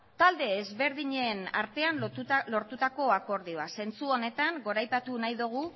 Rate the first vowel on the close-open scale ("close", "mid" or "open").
open